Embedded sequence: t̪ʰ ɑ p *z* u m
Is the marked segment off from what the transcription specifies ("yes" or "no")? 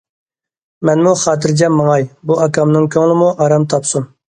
yes